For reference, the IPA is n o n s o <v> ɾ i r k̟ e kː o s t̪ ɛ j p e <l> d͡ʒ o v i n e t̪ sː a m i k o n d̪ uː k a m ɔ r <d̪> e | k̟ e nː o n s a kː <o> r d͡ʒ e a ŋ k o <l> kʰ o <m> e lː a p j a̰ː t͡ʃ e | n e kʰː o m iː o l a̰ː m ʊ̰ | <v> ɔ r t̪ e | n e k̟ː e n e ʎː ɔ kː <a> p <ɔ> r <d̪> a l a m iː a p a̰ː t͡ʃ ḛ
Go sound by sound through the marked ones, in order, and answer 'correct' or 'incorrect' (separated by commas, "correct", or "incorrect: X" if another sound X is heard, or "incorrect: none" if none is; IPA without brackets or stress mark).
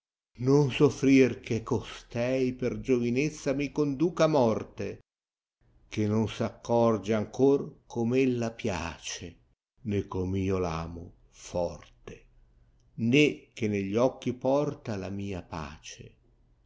incorrect: f, incorrect: r, incorrect: t̪, incorrect: ɔ, incorrect: r, correct, incorrect: f, incorrect: i, correct, incorrect: t̪